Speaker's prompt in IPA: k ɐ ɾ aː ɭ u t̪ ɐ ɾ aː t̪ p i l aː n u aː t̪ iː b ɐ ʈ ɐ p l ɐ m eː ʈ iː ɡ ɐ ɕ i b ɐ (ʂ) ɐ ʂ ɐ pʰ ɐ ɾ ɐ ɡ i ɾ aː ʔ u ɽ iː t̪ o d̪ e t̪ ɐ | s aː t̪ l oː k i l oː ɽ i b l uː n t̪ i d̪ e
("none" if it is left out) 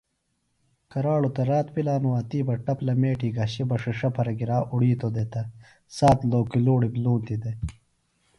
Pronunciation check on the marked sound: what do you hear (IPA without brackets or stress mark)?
ʂ